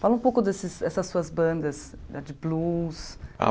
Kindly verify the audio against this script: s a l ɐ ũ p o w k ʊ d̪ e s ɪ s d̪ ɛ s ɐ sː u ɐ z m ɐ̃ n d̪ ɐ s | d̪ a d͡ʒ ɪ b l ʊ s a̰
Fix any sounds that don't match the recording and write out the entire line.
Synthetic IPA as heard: f a l ɐ ũ p o w k ʊ d̪ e s ɪ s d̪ ɛ s ɐ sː u ɐ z b ɐ̃ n d̪ ɐ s | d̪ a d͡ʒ ɪ b l u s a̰